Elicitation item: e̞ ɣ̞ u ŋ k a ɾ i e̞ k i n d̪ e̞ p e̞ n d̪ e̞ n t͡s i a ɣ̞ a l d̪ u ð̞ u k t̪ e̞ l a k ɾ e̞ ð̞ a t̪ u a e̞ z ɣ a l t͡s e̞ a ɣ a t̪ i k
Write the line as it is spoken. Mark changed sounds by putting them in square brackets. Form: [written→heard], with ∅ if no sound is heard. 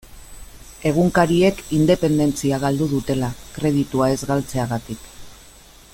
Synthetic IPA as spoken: e̞ ɣ̞ u ŋ k a ɾ i e̞ k i n d̪ e̞ p e̞ n d̪ e̞ n t͡s i a ɣ̞ a l d̪ u ð̞ u [k→∅] t̪ e̞ l a k ɾ e̞ ð̞ [a→i] t̪ u a e̞ z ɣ a l t͡s e̞ a ɣ a t̪ i k